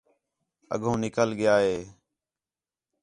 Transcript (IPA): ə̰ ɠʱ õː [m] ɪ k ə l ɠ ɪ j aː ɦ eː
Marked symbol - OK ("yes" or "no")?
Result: no